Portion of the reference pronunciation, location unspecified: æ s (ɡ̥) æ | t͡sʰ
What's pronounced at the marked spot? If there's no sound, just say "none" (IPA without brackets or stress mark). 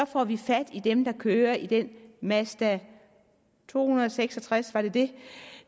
d̥